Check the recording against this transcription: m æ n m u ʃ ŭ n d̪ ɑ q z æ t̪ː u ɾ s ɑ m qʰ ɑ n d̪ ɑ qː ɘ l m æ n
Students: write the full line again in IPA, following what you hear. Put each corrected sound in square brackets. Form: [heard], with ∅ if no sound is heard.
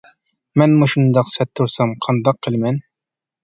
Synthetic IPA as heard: m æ n m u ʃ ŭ n d̪ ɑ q [s] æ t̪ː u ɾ s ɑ m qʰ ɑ n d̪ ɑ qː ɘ l m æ n